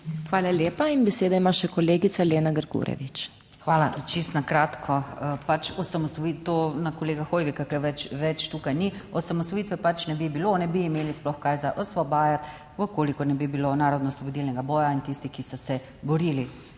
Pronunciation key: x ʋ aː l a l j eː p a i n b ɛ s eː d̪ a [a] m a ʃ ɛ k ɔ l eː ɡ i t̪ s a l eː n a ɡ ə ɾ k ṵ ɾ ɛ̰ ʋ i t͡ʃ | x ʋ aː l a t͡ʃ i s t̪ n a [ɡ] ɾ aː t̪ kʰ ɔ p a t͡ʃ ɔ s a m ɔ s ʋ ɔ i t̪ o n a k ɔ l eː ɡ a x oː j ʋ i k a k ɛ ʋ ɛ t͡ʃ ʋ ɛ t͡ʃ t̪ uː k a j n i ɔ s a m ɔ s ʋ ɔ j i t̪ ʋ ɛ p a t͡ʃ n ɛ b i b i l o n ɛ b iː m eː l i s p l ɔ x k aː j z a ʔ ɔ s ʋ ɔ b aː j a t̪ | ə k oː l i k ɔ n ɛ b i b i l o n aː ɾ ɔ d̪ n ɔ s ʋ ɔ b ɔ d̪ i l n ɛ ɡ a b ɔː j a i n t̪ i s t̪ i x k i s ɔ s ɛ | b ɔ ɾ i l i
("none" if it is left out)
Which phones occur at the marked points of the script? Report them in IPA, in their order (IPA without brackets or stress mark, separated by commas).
i, k